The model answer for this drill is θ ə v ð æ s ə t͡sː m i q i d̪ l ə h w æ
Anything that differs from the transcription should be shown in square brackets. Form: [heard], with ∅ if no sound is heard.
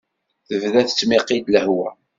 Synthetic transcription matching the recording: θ ə v ð æ [θ] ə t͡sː m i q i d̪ l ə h w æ